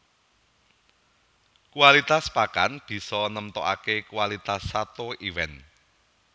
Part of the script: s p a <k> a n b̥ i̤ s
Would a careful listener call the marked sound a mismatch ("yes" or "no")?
no